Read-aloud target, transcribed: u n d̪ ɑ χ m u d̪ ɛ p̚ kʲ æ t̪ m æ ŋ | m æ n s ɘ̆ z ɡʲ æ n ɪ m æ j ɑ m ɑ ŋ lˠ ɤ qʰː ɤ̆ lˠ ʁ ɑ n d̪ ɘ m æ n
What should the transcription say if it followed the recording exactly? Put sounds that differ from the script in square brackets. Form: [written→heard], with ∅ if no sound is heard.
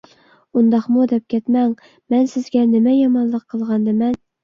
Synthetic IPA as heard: u n d̪ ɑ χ m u d̪ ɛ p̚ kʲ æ t̪ m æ ŋ | m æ n s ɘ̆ z ɡʲ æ n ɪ m æ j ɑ m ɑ [ŋ→n] lˠ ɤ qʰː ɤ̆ lˠ ʁ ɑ n d̪ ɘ m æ n